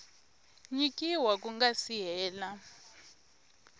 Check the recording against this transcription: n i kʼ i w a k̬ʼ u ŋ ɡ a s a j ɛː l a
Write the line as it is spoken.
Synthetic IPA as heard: ɲ i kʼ i w a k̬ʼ u ŋ ɡ a s i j ɛː l a